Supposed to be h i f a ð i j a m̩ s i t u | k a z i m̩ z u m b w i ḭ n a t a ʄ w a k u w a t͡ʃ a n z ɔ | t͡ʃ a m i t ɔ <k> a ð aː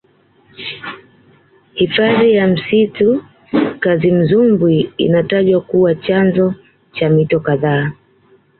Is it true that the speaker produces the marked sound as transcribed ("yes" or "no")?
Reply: yes